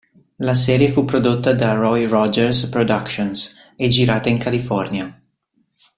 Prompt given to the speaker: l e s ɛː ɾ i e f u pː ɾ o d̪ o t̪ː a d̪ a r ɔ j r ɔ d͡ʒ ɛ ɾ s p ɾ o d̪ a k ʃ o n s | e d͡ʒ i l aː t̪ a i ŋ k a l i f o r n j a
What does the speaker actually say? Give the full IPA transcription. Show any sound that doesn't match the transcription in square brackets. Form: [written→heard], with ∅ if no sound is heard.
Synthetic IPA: l [e→a] s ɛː ɾ [i→j] e f u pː ɾ o d̪ o t̪ː a d̪ a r ɔ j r ɔ d͡ʒ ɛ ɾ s p ɾ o d̪ a k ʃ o n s | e d͡ʒ i [l→ɾ] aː t̪ a i ŋ k a l i f [o→ɔ] r n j a